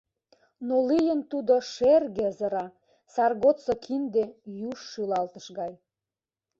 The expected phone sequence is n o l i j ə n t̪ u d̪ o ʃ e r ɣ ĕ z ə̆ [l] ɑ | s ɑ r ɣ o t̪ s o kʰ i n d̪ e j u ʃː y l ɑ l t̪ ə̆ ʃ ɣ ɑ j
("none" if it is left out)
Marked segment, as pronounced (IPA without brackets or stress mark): ɾ